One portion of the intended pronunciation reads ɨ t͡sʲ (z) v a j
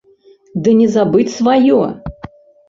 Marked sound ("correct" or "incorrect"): incorrect